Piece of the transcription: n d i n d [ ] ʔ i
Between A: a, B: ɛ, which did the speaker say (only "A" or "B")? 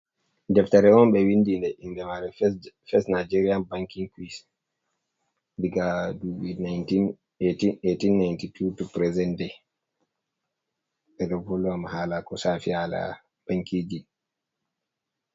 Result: B